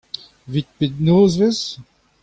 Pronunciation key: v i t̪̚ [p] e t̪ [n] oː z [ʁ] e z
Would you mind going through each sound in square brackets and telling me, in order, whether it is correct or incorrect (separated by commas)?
correct, correct, incorrect